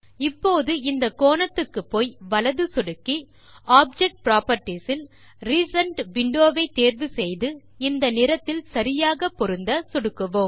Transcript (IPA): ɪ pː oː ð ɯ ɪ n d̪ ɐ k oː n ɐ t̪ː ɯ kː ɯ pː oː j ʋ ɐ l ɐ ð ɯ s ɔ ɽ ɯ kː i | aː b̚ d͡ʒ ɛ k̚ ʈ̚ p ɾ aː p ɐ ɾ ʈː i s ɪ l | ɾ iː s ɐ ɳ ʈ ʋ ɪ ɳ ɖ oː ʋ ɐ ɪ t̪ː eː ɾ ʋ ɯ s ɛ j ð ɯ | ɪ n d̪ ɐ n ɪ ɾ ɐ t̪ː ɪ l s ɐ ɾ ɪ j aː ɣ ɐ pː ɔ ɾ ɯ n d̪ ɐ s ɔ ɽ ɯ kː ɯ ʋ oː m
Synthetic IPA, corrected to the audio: ɪ pː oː ð ɯ ɪ n d̪ ɐ k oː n ɐ t̪ː ɯ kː ɯ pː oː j ʋ ɐ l ɐ ð ɯ s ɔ ɽ ɯ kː i | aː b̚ d͡ʒ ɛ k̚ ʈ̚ p ɾ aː p ɐ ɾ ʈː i s ɪ l | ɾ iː s ɐ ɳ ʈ ʋ ɪ ɳ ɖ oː ʋ ɐ ɪ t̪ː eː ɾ ʋ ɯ s ɛ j ð ɯ | ɪ n d̪ ɐ n ɪ ɾ ɐ t̪ː ɪ l s ɐ ɾ ɪ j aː ɣ ɐ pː ɔ ɾ ɯ n d̪ ɐ s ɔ ɽ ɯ kː ɯ ʋ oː m